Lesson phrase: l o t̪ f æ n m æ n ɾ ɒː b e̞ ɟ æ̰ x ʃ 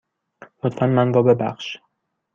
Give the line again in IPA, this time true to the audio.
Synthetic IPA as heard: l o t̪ f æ n m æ n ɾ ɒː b e̞ b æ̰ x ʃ

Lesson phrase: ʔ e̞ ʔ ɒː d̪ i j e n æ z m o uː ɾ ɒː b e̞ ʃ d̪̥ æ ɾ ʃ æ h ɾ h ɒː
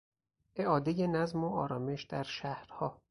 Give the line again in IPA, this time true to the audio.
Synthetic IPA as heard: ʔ e̞ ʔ ɒː d̪ e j e n æ z m o ɒː ɾ ɒː m e̞ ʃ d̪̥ æ ɾ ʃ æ h ɾ h ɒː

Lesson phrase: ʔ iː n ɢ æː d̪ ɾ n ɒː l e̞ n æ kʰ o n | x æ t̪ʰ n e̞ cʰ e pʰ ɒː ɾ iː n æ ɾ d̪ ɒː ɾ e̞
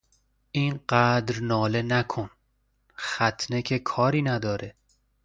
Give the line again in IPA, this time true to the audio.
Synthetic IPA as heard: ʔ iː n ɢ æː d̪ ɾ n ɒː l e̞ n æ kʰ o n | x æ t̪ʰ n e̞ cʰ e kʰ ɒː ɾ iː n æ d̪ ɒː ɾ e̞

